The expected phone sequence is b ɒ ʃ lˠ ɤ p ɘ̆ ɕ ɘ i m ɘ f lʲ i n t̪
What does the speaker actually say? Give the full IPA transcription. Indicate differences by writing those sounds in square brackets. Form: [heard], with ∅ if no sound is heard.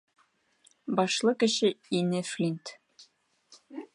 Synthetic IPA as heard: b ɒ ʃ lˠ ɤ [k] ɘ̆ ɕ ɘ i [n] ɘ f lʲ i n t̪